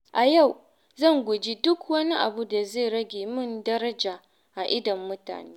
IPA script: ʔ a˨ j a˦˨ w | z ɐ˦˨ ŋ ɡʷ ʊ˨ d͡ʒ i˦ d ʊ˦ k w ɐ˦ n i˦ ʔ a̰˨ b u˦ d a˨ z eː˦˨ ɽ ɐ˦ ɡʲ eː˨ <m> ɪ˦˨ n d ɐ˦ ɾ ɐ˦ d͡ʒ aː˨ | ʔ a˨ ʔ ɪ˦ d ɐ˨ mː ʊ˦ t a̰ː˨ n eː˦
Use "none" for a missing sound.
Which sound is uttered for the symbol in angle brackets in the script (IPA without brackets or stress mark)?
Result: m